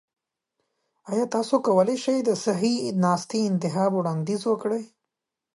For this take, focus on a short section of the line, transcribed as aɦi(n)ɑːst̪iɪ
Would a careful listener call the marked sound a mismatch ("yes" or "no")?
no